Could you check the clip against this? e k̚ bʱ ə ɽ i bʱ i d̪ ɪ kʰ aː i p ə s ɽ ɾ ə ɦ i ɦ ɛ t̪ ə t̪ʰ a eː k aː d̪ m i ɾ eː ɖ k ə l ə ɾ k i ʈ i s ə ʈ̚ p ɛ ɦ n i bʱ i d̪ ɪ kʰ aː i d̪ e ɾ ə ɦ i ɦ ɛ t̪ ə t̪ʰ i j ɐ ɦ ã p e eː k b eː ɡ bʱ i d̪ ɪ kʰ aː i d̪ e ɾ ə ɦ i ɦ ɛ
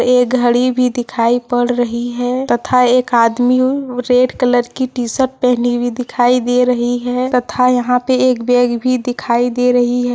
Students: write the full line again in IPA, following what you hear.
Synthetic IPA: e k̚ ɡʱ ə ɽ i bʱ i d̪ ɪ kʰ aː i p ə ɽ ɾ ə ɦ i ɦ ɛ t̪ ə t̪ʰ a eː k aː d̪ m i ɾ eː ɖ k ə l ə ɾ k i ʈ i s ə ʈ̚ p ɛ ɦ n i bʱ i d̪ ɪ kʰ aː i d̪ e ɾ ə ɦ i ɦ ɛ t̪ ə t̪ʰ a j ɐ ɦ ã p e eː k b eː ɡ bʱ i d̪ ɪ kʰ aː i d̪ e ɾ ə ɦ i ɦ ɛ